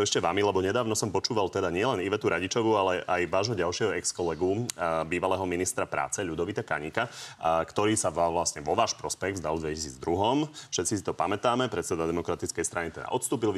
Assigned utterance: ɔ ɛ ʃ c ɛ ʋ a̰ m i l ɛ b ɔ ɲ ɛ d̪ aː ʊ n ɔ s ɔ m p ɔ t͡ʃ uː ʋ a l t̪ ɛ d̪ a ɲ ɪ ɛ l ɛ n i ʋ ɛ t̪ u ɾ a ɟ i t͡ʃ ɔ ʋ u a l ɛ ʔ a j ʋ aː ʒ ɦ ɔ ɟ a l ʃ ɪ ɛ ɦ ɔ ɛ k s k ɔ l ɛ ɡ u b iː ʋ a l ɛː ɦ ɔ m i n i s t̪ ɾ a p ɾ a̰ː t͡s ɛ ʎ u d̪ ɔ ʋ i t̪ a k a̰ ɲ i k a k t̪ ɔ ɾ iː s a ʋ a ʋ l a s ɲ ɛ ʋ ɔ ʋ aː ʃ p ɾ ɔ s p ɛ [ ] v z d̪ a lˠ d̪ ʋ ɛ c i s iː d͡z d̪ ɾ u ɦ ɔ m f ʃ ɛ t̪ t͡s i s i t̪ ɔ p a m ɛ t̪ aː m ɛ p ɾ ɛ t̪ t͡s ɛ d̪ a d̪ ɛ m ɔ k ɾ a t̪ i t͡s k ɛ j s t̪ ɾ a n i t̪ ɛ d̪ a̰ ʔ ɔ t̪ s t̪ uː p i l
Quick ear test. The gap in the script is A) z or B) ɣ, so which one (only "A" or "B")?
B